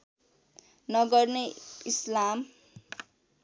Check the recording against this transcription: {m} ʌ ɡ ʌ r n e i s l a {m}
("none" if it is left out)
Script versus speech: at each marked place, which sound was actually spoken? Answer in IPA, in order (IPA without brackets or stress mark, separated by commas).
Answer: n, m